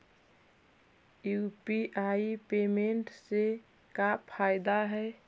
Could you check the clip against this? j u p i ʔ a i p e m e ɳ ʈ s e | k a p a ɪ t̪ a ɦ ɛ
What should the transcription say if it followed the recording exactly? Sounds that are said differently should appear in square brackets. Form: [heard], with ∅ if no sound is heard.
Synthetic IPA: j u p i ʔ a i p e m e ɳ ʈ s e | k a [pʰ] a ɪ [d̪] a ɦ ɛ